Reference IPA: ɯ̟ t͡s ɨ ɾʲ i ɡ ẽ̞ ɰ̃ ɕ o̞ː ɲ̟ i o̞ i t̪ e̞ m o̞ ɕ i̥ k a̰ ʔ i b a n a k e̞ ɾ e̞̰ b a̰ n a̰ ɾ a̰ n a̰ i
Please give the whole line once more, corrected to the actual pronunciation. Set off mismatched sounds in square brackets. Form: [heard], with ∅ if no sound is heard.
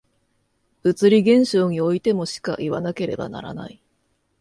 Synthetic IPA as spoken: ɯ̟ t͡s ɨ ɾʲ i ɡ ẽ̞ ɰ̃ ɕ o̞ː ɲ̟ i o̞ i t̪ e̞ m o̞ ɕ i̥ k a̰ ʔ i [β] a n a k e̞ ɾ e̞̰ b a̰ n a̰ ɾ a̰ n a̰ i